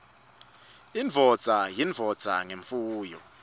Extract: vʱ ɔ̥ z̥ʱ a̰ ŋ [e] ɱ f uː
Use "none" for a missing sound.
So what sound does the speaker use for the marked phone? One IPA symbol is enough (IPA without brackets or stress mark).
e